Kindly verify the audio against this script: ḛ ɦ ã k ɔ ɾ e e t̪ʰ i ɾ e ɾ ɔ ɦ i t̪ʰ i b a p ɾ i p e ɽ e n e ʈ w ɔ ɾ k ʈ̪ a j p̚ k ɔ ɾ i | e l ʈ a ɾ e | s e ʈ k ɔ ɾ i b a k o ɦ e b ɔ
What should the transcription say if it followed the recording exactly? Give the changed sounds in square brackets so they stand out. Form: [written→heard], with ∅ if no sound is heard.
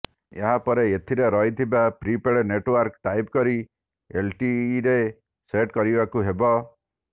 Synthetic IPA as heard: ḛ ɦ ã [k→p] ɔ ɾ e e t̪ʰ i ɾ e ɾ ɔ ɦ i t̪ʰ i b a p ɾ i p e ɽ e n e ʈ w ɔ ɾ k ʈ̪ a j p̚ k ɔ ɾ i | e l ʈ [a→i] ɾ e | s e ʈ k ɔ ɾ i b a k [o→u] ɦ e b ɔ